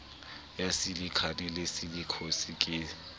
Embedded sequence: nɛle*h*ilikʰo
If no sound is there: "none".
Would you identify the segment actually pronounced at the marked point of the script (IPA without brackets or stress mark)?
s